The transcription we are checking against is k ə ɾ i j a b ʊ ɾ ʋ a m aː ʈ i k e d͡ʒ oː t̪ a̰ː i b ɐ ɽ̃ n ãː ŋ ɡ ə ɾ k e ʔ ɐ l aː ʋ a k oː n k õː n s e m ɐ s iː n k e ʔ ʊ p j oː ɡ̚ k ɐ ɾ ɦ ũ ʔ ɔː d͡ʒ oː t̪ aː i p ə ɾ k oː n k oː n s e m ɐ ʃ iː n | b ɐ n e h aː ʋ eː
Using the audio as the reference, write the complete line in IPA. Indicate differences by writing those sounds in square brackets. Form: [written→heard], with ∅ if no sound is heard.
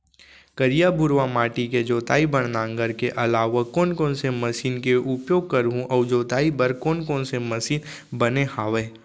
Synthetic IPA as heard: k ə ɾ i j a b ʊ ɾ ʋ a m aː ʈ i k e d͡ʒ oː t̪ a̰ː i b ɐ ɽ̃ n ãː ŋ ɡ ə ɾ k e ʔ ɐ l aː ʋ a k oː n k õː n s e m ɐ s iː n k e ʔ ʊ p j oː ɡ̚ k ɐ ɾ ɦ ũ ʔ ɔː d͡ʒ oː t̪ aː i [p→b] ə ɾ k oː n k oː n s e m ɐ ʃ iː n | b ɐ n e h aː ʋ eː